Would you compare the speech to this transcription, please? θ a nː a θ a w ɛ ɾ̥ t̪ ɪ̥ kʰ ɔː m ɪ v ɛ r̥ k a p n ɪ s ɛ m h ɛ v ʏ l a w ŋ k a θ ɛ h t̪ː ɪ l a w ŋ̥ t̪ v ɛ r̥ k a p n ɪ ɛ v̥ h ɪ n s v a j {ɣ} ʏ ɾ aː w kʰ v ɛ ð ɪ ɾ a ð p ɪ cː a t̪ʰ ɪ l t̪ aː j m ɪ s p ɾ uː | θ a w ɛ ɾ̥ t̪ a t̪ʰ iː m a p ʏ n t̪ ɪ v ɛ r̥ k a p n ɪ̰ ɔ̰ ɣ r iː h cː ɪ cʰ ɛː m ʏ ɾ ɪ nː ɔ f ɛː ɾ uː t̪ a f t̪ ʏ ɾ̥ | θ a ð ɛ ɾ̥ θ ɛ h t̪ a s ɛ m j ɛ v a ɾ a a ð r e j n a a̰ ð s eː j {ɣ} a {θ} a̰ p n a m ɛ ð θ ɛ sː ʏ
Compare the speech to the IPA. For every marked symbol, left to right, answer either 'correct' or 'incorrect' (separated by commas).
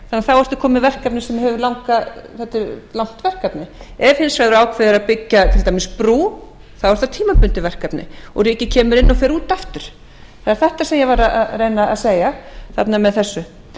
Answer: incorrect, correct, correct